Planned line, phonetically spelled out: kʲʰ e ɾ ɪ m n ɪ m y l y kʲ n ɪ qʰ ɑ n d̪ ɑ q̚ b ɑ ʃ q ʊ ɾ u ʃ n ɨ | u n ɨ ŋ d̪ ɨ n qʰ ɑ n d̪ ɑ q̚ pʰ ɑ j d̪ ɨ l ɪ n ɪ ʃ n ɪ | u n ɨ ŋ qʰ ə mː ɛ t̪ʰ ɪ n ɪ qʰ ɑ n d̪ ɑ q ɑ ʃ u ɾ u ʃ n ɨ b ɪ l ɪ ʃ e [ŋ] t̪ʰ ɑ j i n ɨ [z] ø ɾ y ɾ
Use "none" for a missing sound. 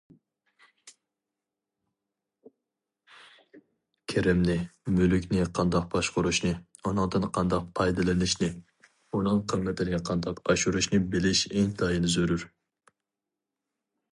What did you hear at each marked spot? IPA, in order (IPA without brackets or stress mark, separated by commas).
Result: ŋ, z